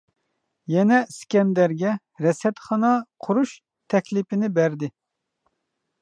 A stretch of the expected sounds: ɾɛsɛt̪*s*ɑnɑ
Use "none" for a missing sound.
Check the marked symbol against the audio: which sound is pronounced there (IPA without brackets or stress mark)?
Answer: χ